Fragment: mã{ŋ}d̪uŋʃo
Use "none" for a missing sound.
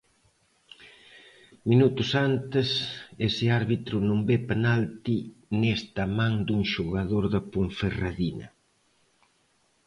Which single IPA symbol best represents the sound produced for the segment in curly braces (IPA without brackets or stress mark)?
ŋ